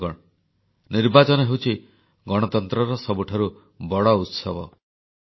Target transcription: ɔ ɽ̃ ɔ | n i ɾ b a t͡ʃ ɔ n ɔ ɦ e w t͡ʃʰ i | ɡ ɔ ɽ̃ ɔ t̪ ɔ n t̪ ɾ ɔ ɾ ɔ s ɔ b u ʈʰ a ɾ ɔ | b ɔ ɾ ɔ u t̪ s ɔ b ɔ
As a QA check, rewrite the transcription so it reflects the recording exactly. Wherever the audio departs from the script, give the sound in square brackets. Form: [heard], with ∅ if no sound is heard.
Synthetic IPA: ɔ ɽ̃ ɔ | n i ɾ b a t͡ʃ ɔ n ɔ ɦ e w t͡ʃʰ i | ɡ ɔ ɽ̃ ɔ t̪ ɔ n t̪ ɾ ɔ ɾ ɔ s ɔ b u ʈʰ a ɾ [u] | b ɔ [ɽ] ɔ u t̪ s ɔ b ɔ